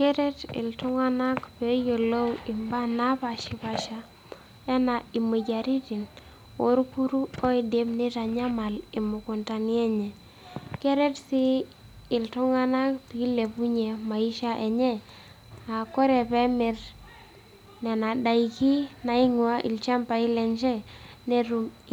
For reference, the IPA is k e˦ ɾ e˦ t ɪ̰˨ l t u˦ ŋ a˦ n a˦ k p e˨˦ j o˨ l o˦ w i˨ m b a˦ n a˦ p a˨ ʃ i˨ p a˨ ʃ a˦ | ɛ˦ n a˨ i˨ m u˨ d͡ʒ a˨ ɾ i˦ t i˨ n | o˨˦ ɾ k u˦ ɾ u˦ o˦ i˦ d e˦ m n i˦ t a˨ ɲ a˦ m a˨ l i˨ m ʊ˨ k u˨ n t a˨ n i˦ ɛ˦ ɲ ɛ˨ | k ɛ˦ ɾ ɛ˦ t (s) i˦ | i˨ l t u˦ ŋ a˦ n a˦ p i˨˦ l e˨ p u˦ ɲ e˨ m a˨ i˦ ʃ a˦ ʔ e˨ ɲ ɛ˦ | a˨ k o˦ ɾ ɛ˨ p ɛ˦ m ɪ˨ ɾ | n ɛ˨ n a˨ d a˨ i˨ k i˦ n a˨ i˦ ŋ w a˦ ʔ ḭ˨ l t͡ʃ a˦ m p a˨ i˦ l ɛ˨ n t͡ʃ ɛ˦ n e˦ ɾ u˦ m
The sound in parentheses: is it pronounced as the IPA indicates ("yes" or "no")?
yes